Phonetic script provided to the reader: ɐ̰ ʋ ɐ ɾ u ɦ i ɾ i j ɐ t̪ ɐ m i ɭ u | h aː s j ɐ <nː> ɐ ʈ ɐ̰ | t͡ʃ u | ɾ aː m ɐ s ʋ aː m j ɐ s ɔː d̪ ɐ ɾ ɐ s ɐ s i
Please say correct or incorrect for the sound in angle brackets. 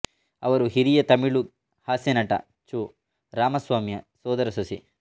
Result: incorrect